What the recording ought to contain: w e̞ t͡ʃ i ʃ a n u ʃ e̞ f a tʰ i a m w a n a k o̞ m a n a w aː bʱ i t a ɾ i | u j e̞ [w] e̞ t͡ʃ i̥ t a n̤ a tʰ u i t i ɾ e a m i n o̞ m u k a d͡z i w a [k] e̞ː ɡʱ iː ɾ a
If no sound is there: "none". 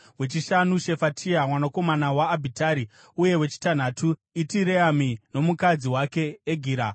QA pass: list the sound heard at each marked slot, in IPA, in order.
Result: w, k

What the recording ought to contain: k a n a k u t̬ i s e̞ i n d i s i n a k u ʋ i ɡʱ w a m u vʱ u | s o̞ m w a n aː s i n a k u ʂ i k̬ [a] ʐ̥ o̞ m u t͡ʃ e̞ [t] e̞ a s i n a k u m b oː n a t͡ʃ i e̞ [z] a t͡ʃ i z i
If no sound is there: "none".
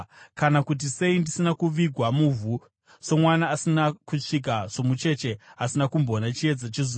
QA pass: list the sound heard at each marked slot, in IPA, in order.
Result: a, t͡ʃ, d͡z

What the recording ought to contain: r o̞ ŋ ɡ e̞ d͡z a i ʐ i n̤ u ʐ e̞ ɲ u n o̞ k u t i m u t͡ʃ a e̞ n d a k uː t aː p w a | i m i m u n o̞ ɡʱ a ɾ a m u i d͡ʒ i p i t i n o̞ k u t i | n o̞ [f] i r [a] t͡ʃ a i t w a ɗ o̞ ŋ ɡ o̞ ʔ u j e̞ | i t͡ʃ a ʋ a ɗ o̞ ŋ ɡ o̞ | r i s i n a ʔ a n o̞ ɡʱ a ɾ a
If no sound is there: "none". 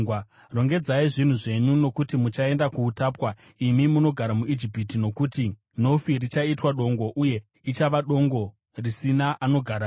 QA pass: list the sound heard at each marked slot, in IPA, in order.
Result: f, i

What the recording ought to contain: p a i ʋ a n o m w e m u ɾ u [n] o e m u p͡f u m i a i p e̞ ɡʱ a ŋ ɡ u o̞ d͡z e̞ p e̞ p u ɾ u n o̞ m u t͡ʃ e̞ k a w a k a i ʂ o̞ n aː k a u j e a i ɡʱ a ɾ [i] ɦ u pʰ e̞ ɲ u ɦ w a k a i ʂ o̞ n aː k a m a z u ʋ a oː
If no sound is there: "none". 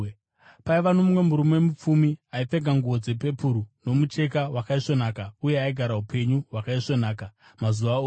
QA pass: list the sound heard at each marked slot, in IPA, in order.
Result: m, a

